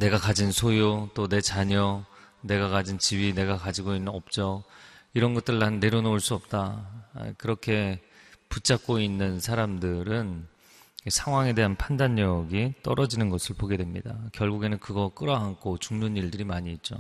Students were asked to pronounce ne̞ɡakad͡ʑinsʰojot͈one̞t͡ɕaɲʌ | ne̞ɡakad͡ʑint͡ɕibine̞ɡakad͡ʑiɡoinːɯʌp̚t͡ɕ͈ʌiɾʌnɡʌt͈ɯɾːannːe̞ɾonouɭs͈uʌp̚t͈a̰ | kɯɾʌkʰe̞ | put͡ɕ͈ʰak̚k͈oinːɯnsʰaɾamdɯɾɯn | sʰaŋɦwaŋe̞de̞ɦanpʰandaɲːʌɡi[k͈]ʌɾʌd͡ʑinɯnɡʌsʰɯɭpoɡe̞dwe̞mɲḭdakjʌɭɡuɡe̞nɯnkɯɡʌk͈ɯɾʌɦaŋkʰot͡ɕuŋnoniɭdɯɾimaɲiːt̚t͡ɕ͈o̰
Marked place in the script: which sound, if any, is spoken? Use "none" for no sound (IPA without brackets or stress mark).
t͈